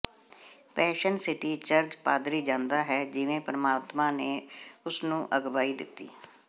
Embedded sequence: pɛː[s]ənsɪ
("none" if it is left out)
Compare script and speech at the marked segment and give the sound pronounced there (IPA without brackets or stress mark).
ʃ